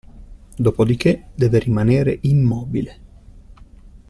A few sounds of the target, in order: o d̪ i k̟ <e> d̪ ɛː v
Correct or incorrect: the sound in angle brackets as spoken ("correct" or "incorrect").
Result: correct